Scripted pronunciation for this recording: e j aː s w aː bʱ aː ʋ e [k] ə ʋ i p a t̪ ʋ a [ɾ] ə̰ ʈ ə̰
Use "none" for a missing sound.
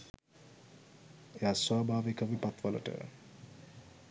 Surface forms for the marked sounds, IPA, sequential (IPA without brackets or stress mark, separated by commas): k, l